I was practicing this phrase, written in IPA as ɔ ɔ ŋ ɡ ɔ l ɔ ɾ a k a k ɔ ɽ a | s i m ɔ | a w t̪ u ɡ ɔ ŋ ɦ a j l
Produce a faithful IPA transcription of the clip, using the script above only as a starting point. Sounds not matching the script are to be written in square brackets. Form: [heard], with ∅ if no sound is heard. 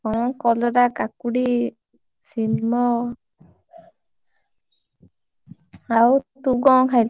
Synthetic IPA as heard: ɔ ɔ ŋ [k] ɔ l ɔ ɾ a k a k [u] ɽ [i] | s i m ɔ | a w t̪ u ɡ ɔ ŋ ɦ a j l